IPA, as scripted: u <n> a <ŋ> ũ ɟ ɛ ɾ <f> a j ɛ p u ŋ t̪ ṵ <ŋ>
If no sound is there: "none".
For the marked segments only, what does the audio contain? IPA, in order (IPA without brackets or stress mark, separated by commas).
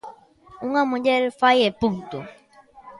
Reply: ŋ, m, f, none